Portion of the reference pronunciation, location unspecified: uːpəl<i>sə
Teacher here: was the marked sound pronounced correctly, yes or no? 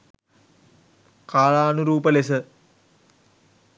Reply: no